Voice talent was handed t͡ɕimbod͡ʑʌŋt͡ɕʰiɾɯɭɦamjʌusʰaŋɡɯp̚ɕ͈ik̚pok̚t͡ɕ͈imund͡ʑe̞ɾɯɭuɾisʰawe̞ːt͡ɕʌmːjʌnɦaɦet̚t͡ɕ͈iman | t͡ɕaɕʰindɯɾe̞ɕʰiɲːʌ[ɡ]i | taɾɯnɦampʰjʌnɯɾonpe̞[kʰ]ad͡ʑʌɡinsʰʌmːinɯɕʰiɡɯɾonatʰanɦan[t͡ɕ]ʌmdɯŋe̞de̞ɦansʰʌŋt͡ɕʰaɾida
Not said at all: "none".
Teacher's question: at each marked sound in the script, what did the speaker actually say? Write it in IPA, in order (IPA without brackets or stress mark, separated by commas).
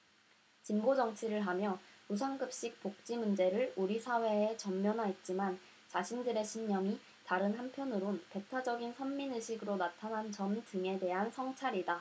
ŋ, tʰ, t͡ɕ